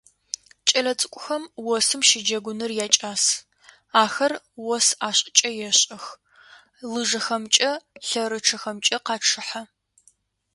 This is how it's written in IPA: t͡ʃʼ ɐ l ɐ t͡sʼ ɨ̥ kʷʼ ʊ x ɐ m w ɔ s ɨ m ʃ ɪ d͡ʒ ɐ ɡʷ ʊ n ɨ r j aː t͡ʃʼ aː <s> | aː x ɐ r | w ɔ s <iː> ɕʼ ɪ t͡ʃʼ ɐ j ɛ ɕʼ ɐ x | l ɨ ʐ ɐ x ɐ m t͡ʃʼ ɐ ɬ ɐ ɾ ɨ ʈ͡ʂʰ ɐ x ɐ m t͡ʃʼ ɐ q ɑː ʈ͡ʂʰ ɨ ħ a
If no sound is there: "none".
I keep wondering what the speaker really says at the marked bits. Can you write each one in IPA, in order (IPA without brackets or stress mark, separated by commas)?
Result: s, aː